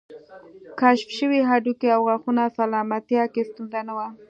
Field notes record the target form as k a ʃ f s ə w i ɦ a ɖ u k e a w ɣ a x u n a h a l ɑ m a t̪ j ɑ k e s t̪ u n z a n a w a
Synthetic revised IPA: k a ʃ f ʃ ə w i ɦ a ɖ u k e a w ɣ a x u n a s a l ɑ m a t̪ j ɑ k e s t̪ u n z a n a w a